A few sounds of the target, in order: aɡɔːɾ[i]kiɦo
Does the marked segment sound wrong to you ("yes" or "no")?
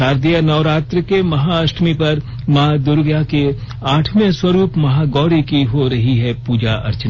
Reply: no